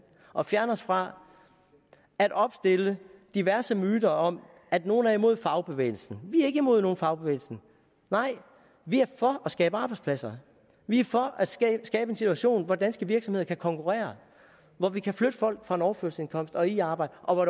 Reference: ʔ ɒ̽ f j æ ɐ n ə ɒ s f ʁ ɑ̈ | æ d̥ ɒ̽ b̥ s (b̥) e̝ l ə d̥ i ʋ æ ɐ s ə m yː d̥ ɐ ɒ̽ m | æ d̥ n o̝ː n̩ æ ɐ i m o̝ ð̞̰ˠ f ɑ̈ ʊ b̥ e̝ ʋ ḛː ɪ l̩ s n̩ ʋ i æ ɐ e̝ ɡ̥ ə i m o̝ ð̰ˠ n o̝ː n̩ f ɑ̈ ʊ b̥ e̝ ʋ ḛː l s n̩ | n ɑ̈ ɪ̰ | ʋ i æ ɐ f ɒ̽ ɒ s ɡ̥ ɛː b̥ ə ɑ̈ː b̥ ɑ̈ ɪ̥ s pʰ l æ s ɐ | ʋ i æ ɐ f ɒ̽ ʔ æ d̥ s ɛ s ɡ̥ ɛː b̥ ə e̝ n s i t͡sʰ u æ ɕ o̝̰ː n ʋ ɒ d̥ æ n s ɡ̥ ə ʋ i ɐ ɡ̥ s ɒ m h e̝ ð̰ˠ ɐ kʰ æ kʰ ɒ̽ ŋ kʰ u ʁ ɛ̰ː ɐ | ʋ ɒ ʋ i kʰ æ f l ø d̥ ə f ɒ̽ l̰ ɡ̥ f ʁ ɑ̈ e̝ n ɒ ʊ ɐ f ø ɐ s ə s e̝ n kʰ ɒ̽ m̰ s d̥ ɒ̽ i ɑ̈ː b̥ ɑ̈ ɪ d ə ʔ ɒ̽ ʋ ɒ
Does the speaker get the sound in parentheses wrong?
yes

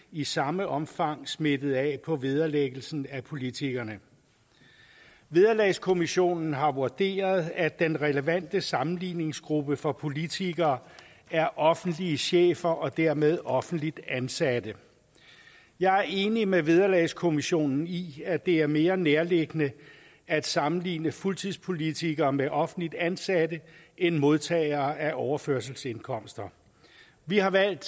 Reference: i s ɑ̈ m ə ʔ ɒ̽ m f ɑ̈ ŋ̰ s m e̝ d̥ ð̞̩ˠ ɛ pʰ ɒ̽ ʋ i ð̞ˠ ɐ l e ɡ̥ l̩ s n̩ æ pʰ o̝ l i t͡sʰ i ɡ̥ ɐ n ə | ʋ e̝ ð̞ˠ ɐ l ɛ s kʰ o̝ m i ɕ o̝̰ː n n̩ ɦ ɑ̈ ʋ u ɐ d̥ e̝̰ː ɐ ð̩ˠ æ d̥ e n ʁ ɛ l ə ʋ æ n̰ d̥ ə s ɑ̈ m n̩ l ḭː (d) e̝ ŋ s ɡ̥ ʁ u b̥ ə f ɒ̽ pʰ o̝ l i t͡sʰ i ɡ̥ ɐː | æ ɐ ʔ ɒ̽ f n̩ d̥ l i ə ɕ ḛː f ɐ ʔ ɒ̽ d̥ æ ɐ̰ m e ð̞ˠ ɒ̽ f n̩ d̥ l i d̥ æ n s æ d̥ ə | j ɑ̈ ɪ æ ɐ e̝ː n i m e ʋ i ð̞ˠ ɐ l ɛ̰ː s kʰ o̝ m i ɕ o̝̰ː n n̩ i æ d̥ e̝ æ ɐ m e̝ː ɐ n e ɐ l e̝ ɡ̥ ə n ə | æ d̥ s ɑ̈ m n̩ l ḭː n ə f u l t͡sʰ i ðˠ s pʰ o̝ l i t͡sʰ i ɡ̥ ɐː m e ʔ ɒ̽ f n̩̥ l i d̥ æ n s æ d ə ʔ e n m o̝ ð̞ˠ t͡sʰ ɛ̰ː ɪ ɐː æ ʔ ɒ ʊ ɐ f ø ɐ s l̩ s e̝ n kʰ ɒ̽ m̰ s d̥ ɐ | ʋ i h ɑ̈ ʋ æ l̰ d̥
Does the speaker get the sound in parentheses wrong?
yes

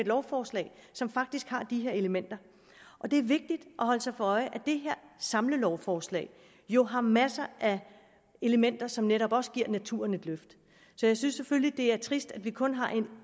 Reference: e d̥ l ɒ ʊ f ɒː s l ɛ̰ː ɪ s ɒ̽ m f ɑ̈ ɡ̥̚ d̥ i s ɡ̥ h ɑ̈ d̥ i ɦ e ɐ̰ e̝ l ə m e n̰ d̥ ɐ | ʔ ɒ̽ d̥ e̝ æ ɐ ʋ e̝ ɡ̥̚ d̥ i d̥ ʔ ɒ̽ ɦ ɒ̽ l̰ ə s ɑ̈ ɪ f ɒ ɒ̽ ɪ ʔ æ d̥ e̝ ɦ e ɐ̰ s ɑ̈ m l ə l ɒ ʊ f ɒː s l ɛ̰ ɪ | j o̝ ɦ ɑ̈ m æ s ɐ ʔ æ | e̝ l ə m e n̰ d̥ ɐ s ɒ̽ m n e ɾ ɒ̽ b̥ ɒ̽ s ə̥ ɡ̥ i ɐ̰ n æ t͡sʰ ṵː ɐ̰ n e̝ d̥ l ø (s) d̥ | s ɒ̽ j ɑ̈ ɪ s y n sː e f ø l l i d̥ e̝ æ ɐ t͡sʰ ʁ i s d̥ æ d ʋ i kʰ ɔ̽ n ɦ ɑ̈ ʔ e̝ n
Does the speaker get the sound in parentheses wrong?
yes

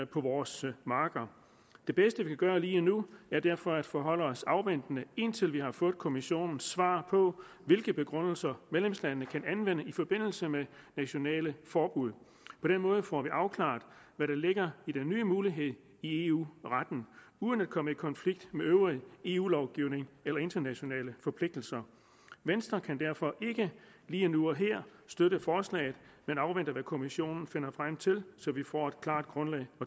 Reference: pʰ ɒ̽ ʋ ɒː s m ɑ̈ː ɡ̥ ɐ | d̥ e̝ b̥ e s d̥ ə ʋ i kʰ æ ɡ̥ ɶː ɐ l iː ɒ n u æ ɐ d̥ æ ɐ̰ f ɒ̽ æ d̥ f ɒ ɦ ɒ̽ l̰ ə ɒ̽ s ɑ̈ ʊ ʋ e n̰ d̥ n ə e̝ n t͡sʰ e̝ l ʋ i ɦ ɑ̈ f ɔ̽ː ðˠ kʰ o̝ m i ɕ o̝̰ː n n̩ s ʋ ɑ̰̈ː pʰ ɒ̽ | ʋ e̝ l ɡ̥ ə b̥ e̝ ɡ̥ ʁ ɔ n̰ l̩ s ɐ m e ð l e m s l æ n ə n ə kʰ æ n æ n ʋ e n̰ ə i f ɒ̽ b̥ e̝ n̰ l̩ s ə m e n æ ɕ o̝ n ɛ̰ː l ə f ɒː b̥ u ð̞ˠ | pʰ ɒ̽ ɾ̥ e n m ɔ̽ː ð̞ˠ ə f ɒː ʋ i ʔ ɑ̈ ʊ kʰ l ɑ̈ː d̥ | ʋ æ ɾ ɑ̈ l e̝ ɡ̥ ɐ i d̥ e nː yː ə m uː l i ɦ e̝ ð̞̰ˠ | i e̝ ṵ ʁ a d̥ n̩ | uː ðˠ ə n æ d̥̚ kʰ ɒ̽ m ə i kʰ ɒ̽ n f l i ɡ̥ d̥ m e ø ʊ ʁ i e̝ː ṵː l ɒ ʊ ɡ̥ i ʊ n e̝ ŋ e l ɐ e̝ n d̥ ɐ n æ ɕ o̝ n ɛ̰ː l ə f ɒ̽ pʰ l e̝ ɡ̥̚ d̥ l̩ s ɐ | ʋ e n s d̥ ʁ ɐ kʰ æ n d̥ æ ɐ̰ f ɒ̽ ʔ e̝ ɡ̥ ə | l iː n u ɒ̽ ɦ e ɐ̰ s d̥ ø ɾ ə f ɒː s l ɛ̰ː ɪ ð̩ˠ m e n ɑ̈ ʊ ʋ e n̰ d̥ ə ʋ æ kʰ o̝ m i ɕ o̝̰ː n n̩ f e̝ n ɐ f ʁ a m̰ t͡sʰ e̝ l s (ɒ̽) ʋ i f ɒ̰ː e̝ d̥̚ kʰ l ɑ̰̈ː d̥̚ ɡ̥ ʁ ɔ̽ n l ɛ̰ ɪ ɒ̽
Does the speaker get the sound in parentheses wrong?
no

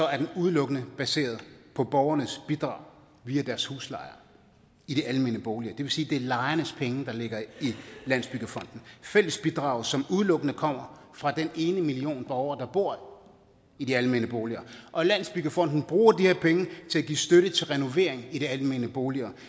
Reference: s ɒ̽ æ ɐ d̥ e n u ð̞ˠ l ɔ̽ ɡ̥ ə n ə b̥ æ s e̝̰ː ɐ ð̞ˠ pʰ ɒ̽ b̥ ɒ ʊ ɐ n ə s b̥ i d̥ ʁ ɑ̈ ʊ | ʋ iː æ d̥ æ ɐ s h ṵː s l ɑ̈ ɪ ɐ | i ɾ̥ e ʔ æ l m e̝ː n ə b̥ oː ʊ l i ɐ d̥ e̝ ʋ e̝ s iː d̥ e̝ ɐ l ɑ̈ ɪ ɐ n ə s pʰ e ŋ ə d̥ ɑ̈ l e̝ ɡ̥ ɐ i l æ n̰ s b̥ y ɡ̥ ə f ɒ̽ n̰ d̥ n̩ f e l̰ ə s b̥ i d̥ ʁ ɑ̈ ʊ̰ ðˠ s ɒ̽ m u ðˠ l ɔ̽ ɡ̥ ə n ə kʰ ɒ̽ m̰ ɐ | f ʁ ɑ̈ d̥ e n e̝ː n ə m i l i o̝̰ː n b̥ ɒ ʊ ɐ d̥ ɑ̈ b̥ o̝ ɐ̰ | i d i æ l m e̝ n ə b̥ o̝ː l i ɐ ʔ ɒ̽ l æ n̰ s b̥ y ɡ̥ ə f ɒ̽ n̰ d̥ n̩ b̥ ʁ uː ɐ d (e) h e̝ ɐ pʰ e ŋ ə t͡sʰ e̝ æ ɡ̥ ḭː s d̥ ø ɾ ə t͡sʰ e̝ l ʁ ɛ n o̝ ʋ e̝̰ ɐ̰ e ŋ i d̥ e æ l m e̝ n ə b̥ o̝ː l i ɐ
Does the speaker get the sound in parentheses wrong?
yes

